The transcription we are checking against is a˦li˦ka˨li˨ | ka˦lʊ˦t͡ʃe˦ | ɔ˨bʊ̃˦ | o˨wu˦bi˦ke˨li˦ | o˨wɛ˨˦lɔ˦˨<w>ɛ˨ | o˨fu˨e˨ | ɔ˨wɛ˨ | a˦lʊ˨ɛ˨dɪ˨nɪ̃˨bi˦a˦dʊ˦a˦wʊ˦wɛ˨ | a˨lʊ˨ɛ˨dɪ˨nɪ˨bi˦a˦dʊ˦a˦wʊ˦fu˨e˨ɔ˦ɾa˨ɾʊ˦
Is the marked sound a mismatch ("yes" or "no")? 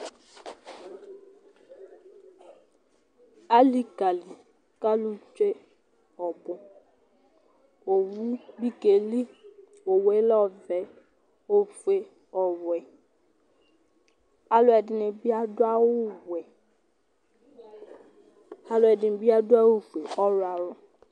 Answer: yes